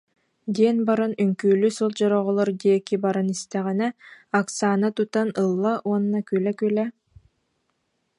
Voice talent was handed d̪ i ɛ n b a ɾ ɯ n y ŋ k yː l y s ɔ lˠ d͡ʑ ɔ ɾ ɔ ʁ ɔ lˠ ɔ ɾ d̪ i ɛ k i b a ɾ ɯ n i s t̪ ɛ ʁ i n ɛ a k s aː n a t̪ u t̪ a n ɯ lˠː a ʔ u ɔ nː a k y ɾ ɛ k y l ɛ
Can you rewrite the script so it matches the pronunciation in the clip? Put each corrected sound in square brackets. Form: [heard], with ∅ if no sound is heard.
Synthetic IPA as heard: d̪ i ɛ n b a ɾ ɯ n y ŋ k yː l y s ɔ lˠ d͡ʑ ɔ ɾ ɔ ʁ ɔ lˠ ɔ ɾ d̪ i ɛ k i b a ɾ ɯ n i s t̪ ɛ ʁ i n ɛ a k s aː n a t̪ u t̪ a n ɯ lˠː a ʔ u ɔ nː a k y [l] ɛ k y l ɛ